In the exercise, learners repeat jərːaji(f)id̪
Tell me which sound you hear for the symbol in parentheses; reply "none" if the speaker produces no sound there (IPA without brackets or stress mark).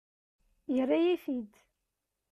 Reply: f